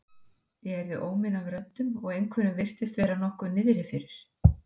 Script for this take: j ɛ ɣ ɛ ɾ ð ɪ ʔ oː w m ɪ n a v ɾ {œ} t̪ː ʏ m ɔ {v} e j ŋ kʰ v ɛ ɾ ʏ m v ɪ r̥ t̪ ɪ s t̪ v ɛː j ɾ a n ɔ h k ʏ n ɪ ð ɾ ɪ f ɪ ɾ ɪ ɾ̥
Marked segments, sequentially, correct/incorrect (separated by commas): correct, incorrect